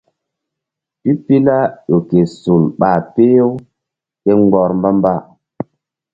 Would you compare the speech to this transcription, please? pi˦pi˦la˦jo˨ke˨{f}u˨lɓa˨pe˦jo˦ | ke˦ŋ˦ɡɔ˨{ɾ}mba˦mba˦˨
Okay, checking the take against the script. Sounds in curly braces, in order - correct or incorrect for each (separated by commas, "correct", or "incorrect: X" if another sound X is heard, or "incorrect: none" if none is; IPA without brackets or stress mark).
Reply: incorrect: s, correct